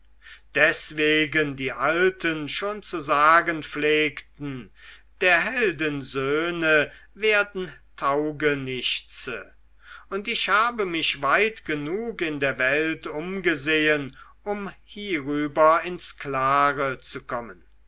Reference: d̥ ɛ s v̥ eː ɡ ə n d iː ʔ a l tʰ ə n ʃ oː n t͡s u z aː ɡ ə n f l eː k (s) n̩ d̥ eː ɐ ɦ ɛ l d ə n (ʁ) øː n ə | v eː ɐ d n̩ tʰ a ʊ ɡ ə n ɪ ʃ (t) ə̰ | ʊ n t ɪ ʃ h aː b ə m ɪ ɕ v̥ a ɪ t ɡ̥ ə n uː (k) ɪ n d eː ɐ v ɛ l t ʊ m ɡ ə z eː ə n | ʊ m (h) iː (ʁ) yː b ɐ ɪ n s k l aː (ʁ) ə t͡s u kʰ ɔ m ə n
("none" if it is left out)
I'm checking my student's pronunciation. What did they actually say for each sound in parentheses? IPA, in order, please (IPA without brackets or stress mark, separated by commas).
t, z, t͡s, k, h, ʁ, ʁ